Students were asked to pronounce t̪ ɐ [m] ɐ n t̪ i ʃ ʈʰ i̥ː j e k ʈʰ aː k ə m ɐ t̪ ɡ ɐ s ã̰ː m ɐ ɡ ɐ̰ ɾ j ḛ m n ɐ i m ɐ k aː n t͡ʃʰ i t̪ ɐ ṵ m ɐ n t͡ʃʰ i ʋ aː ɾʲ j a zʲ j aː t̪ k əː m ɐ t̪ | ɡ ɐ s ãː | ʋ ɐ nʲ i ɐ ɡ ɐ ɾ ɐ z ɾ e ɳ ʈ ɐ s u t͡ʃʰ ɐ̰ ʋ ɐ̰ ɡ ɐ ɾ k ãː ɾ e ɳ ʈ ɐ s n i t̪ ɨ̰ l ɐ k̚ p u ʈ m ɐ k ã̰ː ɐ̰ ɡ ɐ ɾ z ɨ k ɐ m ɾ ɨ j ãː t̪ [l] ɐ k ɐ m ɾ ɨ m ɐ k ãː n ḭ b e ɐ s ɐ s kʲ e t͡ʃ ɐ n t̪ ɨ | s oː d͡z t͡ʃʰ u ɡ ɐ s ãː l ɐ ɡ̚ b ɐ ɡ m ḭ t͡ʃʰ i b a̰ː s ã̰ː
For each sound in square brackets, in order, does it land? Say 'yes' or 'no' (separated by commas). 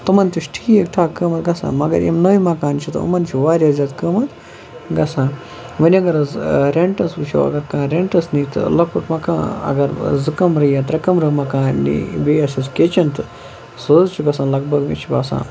yes, no